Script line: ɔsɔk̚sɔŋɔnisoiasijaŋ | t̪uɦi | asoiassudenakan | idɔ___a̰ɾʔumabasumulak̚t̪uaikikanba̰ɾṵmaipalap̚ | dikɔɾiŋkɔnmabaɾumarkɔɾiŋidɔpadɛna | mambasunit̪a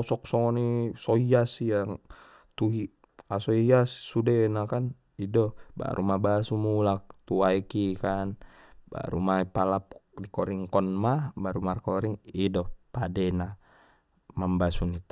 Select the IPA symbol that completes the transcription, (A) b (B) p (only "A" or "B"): A